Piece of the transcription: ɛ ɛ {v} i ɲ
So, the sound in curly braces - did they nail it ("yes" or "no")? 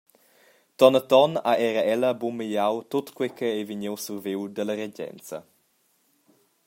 yes